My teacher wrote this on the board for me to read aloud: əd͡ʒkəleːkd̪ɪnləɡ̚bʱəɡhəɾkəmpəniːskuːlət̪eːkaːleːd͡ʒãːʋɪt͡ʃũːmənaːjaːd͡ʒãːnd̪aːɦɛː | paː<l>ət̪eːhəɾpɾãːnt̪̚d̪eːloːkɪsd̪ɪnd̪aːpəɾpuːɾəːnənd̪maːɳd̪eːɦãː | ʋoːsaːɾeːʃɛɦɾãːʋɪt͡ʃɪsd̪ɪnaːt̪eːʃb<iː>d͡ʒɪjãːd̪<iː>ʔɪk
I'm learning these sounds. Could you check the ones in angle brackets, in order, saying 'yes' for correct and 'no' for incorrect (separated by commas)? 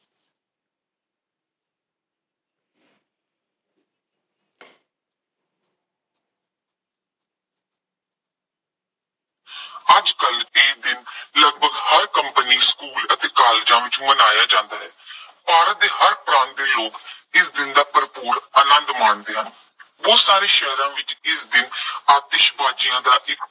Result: no, no, no